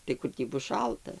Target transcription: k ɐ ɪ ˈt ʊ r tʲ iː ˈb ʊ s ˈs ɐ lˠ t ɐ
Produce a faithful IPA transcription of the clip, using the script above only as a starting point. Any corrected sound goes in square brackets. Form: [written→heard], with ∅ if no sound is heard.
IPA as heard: [k→t] ɐ ɪ [ˈt→ˈk] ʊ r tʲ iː ˈb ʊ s [ˈs→ˈʃ] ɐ lˠ t ɐ